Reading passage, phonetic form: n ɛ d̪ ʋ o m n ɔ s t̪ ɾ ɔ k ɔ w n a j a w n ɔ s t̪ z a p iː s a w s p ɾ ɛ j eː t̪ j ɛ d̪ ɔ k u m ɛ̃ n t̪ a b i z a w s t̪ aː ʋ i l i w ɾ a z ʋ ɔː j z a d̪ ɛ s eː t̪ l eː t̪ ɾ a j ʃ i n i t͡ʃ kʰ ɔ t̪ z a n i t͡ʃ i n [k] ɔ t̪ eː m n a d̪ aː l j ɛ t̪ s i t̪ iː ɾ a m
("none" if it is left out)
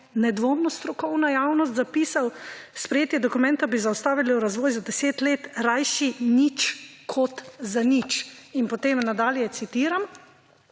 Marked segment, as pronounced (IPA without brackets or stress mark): p